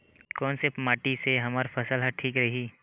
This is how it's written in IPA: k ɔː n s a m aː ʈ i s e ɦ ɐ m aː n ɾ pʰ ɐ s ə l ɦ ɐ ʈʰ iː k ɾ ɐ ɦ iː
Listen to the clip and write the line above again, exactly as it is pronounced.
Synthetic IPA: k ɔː n s e m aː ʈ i s e ɦ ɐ m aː ɾ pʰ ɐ s ə l ɦ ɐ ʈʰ iː k ɾ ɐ ɦ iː